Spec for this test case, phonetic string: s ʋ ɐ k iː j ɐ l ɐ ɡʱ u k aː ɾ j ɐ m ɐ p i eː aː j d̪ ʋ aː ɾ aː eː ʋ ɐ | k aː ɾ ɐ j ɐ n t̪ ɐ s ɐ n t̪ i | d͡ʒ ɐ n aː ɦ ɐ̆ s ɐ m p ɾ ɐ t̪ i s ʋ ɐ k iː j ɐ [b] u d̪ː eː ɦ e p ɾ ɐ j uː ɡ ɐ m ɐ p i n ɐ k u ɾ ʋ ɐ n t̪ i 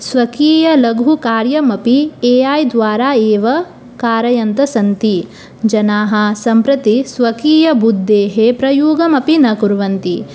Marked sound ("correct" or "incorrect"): correct